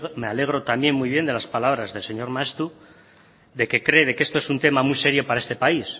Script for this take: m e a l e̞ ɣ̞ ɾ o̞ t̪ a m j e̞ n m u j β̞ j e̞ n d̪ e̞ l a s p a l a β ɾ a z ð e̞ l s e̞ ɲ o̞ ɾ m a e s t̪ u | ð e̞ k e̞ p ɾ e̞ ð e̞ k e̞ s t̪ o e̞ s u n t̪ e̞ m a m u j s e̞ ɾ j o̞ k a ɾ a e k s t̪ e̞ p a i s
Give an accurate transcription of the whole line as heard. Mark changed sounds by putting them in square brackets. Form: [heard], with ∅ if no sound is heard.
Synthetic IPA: m e a l e̞ ɣ̞ ɾ o̞ t̪ a m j e̞ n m u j β̞ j e̞ n d̪ e̞ l a s p a l a β ɾ a z ð e̞ l s e̞ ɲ o̞ ɾ m a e s t̪ u | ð e̞ k e̞ [k] ɾ e̞ ð e̞ k e̞ s t̪ o e̞ s u n t̪ e̞ m a m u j s e̞ ɾ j o̞ [p] a ɾ a e [∅] s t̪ e̞ p a i s